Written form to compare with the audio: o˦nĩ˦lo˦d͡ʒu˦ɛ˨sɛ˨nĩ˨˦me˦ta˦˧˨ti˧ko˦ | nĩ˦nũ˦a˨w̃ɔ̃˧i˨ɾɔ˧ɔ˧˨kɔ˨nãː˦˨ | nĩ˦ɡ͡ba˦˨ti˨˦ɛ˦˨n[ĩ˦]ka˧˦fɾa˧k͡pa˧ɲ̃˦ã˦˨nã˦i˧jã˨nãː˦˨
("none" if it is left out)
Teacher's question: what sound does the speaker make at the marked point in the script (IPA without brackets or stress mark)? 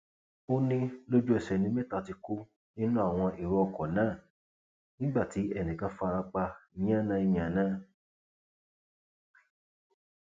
ĩ˨